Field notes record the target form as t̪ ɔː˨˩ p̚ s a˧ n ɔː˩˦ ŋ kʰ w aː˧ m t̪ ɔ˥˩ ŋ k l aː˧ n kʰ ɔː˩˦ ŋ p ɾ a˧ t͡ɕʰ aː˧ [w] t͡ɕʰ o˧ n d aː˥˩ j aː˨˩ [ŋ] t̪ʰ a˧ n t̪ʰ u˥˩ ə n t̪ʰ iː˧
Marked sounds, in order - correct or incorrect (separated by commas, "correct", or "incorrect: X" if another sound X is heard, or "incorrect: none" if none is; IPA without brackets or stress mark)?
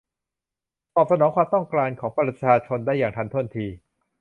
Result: incorrect: none, correct